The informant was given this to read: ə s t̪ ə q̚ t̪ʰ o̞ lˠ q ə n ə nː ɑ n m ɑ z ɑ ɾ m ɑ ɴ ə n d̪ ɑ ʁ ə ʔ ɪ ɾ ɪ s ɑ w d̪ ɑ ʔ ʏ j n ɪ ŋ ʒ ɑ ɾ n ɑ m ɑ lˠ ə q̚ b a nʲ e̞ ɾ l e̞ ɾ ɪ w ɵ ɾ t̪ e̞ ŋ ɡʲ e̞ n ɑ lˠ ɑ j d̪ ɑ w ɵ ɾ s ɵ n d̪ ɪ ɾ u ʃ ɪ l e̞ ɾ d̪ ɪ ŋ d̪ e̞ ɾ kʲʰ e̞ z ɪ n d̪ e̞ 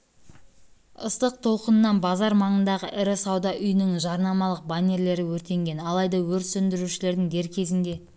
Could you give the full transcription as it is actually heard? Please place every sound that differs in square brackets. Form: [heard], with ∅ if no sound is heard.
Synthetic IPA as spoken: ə s t̪ ə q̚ t̪ʰ o̞ lˠ q ə n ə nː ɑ n [b] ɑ z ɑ ɾ m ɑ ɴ ə n d̪ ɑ ʁ ə ʔ ɪ ɾ ɪ s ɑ w d̪ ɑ ʔ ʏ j n ɪ ŋ ʒ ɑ ɾ n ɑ m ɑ lˠ ə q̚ b a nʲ e̞ ɾ l e̞ ɾ ɪ w ɵ ɾ t̪ e̞ ŋ ɡʲ e̞ n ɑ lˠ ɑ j d̪ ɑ w ɵ ɾ s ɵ n d̪ ɪ ɾ u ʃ ɪ l e̞ ɾ d̪ ɪ ŋ d̪ e̞ ɾ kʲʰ e̞ z ɪ n d̪ e̞

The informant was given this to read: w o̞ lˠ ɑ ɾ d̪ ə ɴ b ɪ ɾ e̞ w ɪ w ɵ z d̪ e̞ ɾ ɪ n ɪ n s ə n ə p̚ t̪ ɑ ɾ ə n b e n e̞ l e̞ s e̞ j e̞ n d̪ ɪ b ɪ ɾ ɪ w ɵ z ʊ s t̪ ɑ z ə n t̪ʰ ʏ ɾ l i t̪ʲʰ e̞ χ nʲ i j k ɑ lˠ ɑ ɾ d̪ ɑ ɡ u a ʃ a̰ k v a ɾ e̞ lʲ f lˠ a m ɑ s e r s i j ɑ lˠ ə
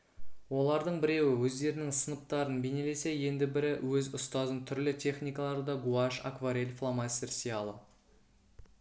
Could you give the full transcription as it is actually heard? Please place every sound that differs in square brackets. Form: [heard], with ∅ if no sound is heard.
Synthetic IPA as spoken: w o̞ lˠ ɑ ɾ d̪ ə ɴ b ɪ ɾ e̞ w ɪ w ɵ z d̪ e̞ ɾ ɪ n ɪ [ŋ] s ə n ə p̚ t̪ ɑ ɾ ə n b e n e̞ l e̞ s e̞ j e̞ n d̪ ɪ b ɪ ɾ ɪ w ɵ z ʊ s t̪ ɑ z ə n t̪ʰ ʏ ɾ l [ɪ] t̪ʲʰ e̞ χ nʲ i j k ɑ lˠ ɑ ɾ d̪ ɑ ɡ u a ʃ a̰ k v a ɾ e̞ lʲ f lˠ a m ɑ s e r s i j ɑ lˠ ə

